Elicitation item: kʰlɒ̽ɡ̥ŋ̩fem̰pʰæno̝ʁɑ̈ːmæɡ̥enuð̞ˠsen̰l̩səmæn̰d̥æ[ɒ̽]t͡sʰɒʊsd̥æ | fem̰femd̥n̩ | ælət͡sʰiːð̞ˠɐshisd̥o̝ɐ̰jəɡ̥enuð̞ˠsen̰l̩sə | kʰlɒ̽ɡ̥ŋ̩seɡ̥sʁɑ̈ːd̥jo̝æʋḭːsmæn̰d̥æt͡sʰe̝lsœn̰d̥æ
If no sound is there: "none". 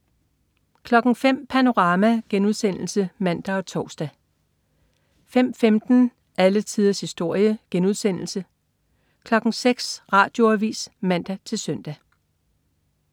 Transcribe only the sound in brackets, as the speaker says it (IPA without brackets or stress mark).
ɒ̽